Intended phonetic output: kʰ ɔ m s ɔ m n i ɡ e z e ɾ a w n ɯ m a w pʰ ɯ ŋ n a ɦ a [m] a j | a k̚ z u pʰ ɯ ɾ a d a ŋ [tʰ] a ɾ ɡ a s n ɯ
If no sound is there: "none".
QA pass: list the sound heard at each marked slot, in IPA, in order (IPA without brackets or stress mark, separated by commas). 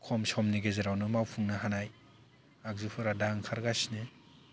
n, kʰ